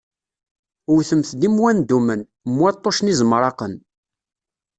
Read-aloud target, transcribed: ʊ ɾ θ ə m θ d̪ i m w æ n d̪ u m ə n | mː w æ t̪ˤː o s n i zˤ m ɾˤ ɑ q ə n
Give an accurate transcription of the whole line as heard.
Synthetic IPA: ʊ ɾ θ ə m θ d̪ i m w æ n d̪ u m ə n | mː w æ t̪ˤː o ʃ n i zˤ m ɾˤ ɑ q ə n